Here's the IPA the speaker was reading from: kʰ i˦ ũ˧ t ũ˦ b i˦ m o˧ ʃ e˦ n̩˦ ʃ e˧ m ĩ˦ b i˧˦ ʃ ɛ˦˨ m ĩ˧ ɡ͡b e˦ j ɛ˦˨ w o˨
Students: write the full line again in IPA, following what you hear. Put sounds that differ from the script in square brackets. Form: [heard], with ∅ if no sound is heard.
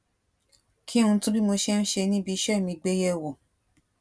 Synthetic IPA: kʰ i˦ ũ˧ t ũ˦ b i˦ m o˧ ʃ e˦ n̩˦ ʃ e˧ [n] ĩ˦ b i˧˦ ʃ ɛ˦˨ m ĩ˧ ɡ͡b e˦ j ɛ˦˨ w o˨